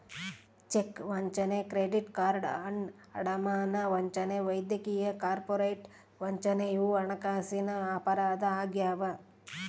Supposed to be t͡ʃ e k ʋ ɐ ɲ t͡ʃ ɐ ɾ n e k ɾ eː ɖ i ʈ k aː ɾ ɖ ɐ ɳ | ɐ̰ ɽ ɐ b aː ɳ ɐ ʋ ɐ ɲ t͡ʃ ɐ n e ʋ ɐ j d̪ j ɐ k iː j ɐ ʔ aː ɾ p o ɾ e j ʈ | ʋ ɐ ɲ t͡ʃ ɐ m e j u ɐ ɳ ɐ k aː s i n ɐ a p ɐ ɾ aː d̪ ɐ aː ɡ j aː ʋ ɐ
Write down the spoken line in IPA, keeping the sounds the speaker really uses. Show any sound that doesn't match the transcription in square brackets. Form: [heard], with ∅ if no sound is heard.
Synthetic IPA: t͡ʃ e k ʋ ɐ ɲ t͡ʃ ɐ [∅] n e k ɾ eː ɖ i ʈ k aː ɾ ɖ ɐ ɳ | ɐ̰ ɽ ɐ [m] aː [n] ɐ ʋ ɐ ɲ t͡ʃ ɐ n e ʋ ɐ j d̪ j ɐ k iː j ɐ [k] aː ɾ p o ɾ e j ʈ | ʋ ɐ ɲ t͡ʃ ɐ [n] e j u ɐ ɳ ɐ k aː s i n ɐ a p ɐ ɾ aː d̪ ɐ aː ɡ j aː ʋ ɐ